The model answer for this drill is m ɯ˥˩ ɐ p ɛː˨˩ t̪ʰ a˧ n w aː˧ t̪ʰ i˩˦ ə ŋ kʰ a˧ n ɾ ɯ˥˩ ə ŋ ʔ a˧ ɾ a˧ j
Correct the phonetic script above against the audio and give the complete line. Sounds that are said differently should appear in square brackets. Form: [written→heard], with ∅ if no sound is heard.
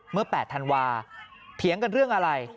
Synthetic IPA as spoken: m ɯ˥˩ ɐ p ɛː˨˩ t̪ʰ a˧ n w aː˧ t̪ʰ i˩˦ ə ŋ [kʰ→k] a˧ n ɾ ɯ˥˩ ə ŋ ʔ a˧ ɾ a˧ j